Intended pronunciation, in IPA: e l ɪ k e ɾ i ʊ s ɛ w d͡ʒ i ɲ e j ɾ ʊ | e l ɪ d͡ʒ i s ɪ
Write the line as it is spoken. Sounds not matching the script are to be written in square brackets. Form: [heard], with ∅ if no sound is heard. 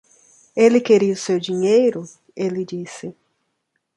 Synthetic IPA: e l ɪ k e ɾ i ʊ s [e] w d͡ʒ i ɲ e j ɾ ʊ | e l ɪ d͡ʒ i s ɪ